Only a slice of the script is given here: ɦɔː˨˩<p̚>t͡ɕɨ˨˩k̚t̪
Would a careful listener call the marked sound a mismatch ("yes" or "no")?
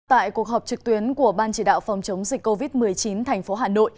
no